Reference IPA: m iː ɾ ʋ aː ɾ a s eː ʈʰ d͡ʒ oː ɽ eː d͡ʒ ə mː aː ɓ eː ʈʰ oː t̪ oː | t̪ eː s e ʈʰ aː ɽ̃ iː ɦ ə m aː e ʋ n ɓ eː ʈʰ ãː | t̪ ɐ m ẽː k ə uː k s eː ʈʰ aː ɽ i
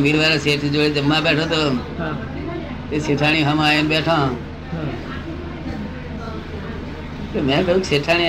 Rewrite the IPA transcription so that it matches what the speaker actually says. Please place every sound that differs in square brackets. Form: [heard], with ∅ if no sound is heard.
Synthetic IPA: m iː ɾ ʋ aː ɾ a s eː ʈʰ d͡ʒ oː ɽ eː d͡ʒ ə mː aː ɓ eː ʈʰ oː t̪ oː | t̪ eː s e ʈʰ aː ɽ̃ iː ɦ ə m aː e [∅] n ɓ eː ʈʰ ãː | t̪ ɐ m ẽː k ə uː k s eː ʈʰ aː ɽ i